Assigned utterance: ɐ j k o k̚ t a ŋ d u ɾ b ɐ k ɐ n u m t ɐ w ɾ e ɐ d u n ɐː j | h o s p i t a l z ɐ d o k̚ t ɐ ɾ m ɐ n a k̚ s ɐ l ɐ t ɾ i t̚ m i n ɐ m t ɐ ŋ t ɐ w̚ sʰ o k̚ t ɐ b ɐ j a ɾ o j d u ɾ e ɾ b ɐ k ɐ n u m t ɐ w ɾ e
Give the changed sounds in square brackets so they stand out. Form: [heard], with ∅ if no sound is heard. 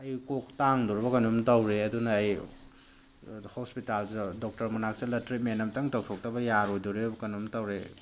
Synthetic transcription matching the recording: ɐ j k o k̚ t a ŋ d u ɾ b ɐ k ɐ n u m t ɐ w ɾ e ɐ d u n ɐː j | h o s p i t a l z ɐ d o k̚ t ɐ ɾ m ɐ n a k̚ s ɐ l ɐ t ɾ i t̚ m [e] n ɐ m t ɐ ŋ t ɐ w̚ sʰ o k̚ t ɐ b ɐ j a ɾ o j d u ɾ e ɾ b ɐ k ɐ n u m t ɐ w ɾ e